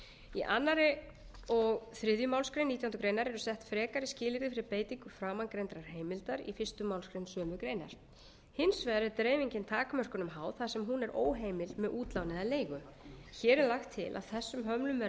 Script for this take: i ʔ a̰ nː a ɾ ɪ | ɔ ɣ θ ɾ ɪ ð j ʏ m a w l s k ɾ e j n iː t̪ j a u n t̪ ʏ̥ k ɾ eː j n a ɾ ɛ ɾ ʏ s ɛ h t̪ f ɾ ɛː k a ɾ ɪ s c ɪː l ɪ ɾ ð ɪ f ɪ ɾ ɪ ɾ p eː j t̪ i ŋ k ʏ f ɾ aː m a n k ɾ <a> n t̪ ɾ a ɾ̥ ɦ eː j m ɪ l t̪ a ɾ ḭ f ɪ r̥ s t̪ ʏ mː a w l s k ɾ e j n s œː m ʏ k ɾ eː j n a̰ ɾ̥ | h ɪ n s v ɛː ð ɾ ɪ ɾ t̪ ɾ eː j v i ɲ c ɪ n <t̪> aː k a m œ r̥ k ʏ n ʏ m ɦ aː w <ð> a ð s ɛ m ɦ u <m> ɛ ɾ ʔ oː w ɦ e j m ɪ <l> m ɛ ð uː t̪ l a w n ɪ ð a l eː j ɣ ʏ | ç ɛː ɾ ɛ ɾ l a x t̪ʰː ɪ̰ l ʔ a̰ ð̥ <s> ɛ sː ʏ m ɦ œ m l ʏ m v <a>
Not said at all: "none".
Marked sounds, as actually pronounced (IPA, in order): e, t̪ʰ, θ, n, l, θ, ɛ

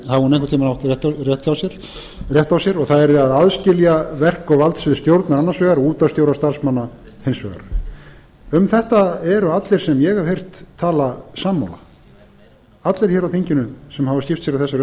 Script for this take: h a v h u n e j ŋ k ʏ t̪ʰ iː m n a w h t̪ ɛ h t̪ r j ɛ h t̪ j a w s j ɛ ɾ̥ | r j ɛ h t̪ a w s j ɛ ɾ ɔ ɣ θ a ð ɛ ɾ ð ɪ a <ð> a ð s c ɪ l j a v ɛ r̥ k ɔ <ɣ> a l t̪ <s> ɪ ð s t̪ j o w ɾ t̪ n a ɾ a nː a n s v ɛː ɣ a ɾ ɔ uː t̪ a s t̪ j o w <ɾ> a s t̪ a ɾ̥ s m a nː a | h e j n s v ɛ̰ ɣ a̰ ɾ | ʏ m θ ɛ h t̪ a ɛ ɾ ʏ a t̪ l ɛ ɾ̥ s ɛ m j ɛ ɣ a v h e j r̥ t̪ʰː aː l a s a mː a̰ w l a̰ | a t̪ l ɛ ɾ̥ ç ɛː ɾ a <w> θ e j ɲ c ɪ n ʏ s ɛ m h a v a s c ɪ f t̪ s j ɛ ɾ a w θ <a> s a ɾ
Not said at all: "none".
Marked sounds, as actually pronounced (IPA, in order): ð, v, s, ɾ, w, ɛ

